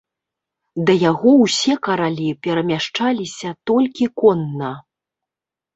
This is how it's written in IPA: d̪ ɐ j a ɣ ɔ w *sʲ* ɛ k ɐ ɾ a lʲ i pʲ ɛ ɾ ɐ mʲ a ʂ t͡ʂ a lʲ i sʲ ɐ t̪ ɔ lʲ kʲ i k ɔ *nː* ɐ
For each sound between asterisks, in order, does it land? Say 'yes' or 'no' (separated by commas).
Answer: yes, yes